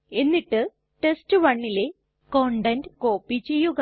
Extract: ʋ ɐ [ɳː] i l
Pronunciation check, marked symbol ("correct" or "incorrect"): correct